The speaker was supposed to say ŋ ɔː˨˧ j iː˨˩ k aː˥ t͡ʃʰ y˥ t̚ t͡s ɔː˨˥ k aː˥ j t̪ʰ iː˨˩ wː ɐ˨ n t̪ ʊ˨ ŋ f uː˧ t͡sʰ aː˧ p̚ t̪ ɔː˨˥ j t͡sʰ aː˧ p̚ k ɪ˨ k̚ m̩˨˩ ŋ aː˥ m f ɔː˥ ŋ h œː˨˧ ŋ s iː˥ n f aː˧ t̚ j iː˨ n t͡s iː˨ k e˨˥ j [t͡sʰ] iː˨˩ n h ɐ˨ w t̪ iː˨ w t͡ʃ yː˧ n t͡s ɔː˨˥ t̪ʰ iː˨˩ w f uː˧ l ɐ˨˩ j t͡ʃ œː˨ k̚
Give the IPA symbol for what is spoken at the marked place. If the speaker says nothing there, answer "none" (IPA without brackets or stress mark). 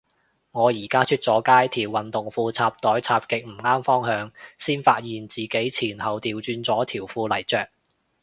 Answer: t͡sʰ